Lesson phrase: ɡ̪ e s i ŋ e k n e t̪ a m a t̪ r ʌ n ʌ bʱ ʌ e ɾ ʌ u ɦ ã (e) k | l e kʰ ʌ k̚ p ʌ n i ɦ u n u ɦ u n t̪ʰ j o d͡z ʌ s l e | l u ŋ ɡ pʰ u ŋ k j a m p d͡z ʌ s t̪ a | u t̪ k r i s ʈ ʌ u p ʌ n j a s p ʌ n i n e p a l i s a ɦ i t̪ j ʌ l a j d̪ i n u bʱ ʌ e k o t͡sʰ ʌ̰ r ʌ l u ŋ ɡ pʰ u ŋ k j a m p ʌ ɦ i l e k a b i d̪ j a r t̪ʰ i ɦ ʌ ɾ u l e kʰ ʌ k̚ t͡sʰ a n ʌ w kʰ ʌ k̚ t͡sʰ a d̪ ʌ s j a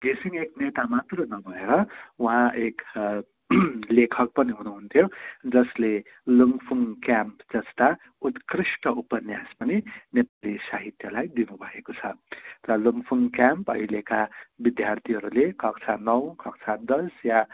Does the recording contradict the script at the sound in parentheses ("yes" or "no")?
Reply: no